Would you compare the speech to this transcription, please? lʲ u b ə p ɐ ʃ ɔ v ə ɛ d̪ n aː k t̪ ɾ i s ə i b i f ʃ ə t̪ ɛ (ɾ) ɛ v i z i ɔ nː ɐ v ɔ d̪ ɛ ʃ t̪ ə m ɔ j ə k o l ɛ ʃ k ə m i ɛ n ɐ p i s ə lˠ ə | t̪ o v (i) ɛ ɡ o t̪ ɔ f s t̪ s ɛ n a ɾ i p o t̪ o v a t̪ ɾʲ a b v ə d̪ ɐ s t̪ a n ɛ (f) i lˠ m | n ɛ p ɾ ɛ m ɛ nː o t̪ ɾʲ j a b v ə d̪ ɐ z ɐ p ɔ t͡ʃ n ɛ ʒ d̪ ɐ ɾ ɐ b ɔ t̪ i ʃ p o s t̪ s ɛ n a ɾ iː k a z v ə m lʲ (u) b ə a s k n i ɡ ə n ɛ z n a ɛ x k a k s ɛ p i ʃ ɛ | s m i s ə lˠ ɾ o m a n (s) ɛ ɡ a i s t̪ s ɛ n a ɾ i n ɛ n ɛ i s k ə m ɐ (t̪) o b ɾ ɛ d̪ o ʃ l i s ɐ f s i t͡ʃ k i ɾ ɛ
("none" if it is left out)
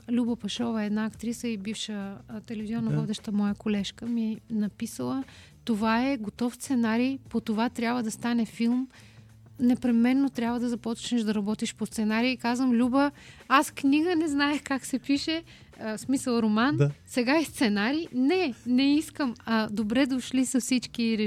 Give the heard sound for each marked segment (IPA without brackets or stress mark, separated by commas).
l, a, f, u, s, d̪